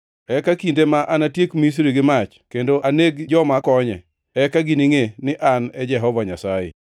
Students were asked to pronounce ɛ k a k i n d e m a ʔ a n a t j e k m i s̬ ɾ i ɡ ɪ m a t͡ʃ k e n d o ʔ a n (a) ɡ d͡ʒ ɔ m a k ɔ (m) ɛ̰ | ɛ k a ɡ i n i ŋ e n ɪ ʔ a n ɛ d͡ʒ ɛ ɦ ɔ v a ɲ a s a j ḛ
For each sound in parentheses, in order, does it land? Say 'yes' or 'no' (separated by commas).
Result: no, no